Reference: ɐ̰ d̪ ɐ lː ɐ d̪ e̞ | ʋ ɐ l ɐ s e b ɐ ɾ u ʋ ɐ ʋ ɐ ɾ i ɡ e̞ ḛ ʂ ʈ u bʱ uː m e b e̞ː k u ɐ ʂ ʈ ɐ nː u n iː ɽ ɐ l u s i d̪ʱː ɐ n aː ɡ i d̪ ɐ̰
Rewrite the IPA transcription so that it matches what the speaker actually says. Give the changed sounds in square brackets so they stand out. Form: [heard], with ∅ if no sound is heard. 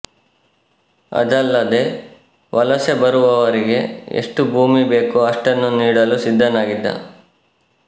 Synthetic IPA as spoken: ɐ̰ d̪ ɐ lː ɐ d̪ e̞ | ʋ ɐ l ɐ s e b ɐ ɾ u ʋ ɐ ʋ ɐ ɾ i ɡ e̞ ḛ ʂ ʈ u bʱ uː m [i] b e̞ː k u ɐ ʂ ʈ ɐ nː u n iː ɽ ɐ l u s i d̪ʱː ɐ n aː ɡ i [d̪ː] ɐ̰